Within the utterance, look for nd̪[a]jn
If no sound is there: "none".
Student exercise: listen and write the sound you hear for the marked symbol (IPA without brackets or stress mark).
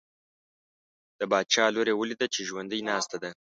ə